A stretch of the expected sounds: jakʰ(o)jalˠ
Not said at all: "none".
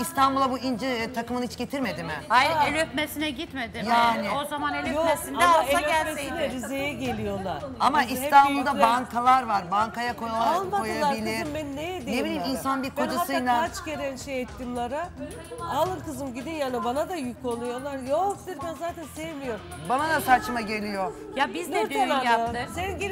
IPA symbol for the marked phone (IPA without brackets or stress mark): o